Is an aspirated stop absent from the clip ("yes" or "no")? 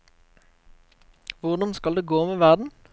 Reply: yes